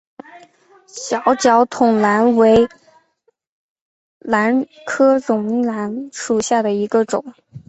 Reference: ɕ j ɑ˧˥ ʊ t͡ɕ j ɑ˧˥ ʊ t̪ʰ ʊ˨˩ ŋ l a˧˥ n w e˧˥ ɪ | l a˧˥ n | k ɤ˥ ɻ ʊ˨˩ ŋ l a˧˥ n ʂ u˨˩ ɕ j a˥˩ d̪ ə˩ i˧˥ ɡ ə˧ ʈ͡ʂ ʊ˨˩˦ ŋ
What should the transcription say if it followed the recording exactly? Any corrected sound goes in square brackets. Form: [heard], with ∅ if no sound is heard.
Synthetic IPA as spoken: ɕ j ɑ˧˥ ʊ t͡ɕ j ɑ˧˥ ʊ t̪ʰ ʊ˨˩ ŋ l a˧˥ n w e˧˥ ɪ | l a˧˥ n | [kʰ] ɤ˥ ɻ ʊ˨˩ ŋ l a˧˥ n ʂ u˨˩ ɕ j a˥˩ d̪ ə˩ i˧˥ ɡ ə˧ ʈ͡ʂ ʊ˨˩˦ ŋ